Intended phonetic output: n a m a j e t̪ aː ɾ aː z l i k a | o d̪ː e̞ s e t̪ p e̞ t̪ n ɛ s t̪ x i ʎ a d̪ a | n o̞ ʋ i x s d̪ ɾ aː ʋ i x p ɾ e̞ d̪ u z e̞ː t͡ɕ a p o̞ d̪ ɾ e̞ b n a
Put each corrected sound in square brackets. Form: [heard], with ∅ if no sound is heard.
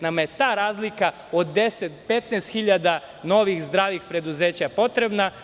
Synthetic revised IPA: n a m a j e t̪ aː ɾ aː z l i k a | o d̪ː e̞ s e t̪ p e̞ t̪ n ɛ s t̪ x i ʎ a d̪ a | n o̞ ʋ i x [z] d̪ ɾ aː ʋ i x p ɾ e̞ d̪ u z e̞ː t͡ɕ a p o̞ [t̪] ɾ e̞ b n a